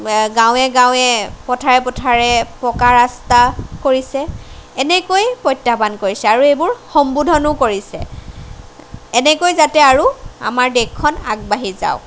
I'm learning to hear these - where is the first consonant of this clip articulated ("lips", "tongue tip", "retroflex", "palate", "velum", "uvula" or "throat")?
velum